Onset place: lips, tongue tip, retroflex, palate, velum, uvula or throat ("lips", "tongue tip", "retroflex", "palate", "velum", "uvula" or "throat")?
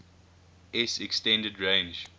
tongue tip